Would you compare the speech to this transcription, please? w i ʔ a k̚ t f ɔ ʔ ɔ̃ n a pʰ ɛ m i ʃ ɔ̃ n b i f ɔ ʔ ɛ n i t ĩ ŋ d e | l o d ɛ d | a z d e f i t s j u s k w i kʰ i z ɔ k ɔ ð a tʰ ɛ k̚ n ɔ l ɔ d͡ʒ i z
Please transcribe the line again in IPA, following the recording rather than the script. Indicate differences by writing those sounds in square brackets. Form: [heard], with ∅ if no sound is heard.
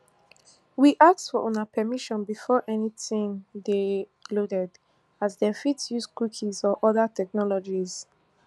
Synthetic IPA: w i ʔ a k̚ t f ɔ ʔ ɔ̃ n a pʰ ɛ m i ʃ ɔ̃ n b i f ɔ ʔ ɛ n i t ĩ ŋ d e | l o d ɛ d | a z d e f i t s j u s k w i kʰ i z ɔ [ʔ] ɔ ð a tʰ ɛ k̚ n ɔ l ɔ d͡ʒ i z